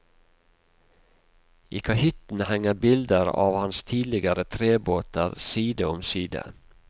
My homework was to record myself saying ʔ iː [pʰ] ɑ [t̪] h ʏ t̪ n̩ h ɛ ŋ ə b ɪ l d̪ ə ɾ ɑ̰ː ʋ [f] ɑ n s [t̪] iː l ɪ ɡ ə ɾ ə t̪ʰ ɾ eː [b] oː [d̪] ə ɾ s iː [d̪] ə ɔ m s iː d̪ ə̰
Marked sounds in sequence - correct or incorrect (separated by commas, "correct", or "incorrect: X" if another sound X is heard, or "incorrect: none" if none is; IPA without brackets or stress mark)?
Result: incorrect: kʰ, incorrect: none, incorrect: h, incorrect: t̪ʰ, correct, incorrect: t̪, correct